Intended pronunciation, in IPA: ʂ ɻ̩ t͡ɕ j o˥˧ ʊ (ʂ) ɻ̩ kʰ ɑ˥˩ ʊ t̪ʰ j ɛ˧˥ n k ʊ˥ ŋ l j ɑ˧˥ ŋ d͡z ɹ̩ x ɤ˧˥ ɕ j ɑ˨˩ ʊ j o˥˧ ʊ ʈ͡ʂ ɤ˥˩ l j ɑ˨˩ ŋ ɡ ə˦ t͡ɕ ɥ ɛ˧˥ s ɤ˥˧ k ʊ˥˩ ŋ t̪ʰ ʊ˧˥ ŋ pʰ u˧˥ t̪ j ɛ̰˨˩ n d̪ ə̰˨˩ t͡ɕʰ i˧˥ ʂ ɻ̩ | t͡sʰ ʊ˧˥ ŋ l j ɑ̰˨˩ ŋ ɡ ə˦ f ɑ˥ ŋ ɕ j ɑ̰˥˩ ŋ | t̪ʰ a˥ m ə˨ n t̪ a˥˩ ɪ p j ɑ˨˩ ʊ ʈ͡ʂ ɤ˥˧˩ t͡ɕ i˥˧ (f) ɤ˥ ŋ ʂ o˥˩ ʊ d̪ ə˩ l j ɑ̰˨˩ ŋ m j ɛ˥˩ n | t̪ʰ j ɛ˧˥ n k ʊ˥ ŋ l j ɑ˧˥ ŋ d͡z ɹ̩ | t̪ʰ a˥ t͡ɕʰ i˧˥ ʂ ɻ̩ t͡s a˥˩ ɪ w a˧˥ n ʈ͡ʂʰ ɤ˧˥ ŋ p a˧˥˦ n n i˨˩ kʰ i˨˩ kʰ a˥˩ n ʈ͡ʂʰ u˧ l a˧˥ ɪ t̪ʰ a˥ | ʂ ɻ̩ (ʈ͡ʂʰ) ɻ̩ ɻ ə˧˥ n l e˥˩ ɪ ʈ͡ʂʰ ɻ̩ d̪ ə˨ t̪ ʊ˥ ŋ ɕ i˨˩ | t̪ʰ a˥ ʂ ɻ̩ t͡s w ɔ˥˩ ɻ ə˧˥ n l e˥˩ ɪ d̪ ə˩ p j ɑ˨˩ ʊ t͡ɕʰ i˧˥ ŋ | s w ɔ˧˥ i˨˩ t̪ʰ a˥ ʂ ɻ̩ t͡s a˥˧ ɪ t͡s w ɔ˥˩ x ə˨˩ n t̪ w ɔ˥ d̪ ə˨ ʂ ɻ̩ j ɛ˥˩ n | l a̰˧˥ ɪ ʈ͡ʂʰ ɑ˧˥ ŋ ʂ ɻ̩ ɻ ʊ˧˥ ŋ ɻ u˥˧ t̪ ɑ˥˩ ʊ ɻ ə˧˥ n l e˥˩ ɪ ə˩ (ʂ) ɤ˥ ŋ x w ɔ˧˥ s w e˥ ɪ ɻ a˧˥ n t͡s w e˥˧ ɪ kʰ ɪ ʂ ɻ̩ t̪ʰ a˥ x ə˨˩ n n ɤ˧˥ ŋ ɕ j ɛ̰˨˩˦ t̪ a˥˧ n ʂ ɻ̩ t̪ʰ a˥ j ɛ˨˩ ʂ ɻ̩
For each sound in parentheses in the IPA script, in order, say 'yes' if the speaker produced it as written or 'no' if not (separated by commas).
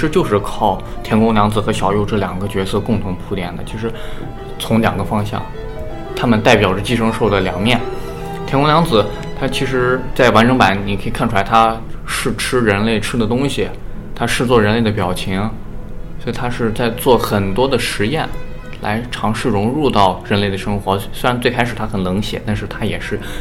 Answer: yes, no, yes, yes